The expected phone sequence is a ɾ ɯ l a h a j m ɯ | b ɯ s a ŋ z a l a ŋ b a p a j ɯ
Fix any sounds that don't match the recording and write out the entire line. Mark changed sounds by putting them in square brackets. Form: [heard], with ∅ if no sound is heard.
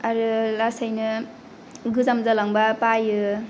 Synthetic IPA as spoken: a ɾ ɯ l a [s] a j [n] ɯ | [ɡ] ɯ [z] a [m] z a l a ŋ b a p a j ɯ